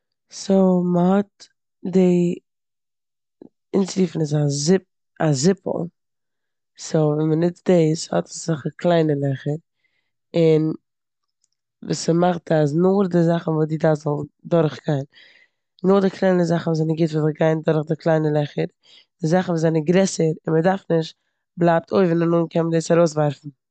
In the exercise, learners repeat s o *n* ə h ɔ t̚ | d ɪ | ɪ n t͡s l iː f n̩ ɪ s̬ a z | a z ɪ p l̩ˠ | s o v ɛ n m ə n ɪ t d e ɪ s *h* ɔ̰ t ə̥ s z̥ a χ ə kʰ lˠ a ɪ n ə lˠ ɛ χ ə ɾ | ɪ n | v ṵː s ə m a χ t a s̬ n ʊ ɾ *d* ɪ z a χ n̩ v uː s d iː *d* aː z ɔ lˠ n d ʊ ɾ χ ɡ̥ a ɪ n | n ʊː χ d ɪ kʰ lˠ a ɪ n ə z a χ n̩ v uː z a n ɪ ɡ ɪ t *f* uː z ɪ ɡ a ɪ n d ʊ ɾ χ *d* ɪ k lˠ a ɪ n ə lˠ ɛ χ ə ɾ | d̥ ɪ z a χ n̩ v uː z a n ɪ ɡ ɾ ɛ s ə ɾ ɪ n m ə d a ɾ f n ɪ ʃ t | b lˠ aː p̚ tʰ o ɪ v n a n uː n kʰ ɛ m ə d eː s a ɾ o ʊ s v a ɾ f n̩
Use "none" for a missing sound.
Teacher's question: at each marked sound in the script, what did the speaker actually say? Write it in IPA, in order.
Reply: m, h, d, d, v, d

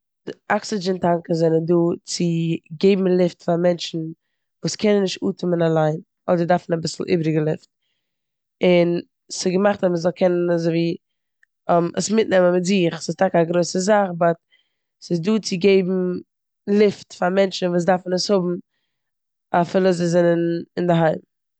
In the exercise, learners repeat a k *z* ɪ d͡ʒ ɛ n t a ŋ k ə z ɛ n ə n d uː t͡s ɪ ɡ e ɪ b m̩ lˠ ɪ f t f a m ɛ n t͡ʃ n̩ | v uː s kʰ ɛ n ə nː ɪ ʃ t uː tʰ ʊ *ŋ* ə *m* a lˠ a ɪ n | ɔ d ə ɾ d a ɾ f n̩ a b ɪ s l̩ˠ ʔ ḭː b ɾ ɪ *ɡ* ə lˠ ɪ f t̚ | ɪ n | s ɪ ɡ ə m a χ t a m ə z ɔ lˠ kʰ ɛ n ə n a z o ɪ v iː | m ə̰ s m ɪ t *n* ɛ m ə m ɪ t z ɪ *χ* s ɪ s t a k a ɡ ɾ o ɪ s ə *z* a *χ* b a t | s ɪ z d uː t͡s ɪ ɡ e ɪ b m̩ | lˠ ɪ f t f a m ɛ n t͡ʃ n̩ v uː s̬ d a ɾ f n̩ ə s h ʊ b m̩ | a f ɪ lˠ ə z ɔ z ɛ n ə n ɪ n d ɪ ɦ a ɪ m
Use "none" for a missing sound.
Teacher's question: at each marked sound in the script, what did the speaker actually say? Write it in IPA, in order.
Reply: s, m, n, ɡ, n, χ, z, χ

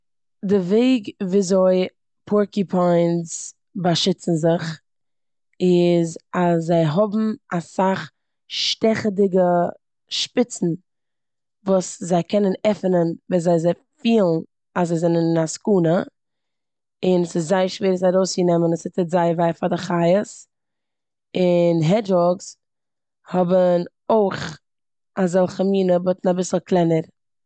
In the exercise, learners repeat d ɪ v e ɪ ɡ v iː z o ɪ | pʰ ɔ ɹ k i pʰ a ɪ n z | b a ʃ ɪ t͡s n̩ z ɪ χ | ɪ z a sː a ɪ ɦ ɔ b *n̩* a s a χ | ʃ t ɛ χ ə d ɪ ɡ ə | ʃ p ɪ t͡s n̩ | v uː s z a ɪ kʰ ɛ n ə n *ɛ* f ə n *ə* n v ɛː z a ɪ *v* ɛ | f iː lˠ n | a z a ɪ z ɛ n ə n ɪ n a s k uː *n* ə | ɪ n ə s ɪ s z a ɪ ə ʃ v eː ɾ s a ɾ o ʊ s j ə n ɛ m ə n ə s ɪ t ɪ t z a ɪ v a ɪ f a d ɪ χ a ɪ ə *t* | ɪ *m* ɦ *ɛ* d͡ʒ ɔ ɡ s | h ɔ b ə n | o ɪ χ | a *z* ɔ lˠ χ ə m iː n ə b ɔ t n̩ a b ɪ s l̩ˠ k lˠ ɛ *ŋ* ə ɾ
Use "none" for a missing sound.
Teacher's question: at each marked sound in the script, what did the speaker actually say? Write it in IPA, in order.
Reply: m̩, ɛ, ə, z, n, s, n, ɛ, z, n

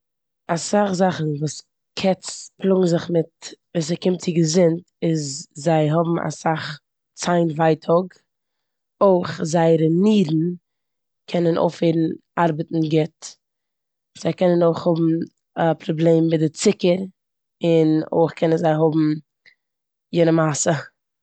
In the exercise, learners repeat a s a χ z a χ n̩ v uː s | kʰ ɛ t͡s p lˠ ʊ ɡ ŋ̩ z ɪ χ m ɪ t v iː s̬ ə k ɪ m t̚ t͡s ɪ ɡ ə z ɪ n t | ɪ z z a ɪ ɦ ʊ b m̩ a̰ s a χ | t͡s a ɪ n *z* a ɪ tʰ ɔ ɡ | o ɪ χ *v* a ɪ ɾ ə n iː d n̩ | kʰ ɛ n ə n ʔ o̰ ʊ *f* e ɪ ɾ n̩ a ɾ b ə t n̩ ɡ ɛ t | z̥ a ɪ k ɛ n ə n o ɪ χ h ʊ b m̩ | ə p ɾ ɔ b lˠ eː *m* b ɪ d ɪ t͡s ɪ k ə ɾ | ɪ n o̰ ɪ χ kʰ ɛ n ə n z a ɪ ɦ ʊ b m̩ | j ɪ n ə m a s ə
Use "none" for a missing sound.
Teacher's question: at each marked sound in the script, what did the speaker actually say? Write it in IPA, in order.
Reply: v, z, f, m

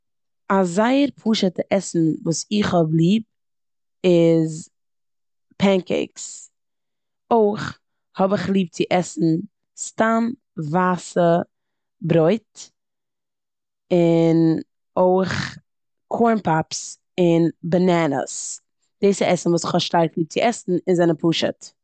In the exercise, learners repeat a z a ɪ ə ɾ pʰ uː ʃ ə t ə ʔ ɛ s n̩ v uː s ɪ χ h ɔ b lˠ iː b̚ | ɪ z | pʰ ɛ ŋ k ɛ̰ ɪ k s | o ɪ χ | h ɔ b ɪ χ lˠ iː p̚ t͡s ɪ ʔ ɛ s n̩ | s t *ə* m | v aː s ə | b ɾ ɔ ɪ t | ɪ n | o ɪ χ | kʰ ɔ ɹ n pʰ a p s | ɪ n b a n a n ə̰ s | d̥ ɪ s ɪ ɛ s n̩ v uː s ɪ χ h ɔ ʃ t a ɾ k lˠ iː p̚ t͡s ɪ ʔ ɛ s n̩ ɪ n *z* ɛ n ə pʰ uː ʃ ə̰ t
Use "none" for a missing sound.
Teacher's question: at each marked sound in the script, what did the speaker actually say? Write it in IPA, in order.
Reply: a, z

